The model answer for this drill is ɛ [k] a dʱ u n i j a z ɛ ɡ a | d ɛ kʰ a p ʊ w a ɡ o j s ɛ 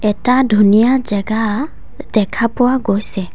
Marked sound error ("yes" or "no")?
yes